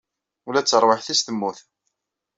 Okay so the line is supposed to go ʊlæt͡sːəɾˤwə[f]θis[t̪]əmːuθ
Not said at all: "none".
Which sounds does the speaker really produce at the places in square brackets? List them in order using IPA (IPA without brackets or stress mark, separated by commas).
ħ, t̪